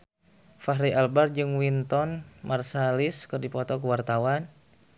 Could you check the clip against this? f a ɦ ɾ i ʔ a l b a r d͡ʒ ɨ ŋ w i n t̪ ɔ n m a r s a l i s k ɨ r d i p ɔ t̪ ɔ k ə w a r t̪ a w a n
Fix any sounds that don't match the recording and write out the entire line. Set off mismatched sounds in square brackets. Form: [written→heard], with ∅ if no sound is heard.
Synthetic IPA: f a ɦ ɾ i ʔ a l b a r d͡ʒ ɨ ŋ w i n t̪ ɔ n m a r s a l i s k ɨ r d i p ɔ t̪ ɔ k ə w a r t̪ a w a n

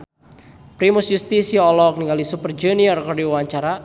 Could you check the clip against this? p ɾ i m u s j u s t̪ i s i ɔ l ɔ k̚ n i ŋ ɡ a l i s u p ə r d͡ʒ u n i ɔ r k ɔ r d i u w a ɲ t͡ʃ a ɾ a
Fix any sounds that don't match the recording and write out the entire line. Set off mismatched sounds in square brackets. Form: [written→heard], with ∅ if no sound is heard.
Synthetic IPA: p ɾ i m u s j u s t̪ i s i ɔ l ɔ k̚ n i ŋ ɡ a l i s u p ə r d͡ʒ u n i ɔ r k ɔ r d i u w a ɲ t͡ʃ a ɾ a

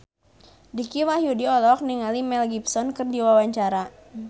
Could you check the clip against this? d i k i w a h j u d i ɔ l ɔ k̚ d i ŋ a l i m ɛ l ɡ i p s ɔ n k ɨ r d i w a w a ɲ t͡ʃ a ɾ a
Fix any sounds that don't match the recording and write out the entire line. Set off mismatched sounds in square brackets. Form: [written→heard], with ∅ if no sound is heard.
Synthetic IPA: d i k i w a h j u d i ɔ l ɔ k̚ [d→n] i ŋ a l i m ɛ l ɡ i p s ɔ n k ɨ r d i w a w a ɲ t͡ʃ a ɾ a

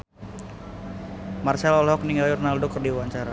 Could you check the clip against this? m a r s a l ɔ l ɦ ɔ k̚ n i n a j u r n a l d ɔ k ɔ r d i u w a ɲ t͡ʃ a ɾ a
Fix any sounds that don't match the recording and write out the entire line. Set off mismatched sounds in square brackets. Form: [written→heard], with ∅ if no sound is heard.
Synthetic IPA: m a r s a l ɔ l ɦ ɔ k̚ n i [n→ŋ] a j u r n a l d ɔ k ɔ r d i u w a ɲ t͡ʃ a ɾ a

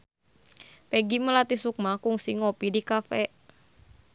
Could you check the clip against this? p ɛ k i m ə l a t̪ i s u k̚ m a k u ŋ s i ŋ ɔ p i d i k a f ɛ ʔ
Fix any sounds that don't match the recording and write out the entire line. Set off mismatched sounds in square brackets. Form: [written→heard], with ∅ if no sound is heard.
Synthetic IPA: p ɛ [k→ɡ] i m ə l a t̪ i s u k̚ m a k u ŋ s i ŋ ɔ p i d i k a f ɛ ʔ

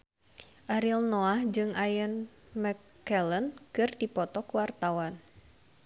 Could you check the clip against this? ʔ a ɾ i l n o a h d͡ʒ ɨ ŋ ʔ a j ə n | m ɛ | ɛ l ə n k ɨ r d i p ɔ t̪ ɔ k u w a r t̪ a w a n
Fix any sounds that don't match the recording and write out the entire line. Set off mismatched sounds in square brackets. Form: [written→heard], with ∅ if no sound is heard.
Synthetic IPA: ʔ a ɾ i l n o a h d͡ʒ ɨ ŋ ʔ a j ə n | m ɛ | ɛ l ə n k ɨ r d i p ɔ t̪ ɔ k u w a r t̪ a w a n

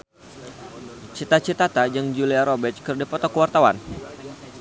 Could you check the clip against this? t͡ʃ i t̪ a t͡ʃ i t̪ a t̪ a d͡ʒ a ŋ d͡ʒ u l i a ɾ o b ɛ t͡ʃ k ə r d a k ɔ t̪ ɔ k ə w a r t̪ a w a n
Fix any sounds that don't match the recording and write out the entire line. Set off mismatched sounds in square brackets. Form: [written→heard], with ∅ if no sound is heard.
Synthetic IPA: t͡ʃ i t̪ a t͡ʃ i t̪ a t̪ a d͡ʒ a ŋ d͡ʒ u l i a ɾ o b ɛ t͡ʃ k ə r d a [k→p] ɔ t̪ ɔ k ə w a r t̪ a w a n

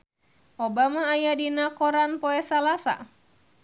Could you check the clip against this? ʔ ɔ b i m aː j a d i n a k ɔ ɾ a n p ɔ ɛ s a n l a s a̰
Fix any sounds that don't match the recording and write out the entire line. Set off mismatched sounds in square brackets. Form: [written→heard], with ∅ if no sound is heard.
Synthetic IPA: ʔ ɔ b [i→a] m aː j a d i n a k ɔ ɾ a n p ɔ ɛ s a [n→∅] l a s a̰

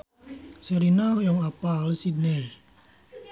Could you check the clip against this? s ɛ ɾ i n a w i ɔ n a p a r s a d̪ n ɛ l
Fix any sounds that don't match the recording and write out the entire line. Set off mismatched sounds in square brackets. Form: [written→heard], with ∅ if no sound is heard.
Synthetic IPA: s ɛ ɾ i n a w [i→j] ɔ [n→ŋ] a p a [r→l] s [a→i] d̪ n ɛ l

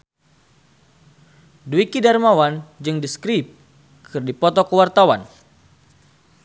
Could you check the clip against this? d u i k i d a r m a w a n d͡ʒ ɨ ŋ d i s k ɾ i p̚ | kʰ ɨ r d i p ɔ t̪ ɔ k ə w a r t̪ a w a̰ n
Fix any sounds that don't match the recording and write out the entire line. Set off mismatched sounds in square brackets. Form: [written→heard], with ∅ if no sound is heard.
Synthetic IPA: d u i k i d a r m a w a n d͡ʒ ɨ ŋ d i s k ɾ i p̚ | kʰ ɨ r d i p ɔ t̪ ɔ k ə w a r t̪ a w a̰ n

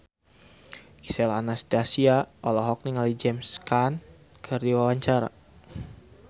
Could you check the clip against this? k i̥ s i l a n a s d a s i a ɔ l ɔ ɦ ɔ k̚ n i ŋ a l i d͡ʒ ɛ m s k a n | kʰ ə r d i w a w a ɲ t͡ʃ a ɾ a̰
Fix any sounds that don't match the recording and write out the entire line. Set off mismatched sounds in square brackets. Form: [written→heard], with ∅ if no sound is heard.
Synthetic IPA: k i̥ s [i→ɛ] l a n a s d a s i a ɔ l ɔ ɦ ɔ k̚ n i ŋ a l i d͡ʒ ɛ m s k a n | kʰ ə r d i w a w a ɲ t͡ʃ a ɾ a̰

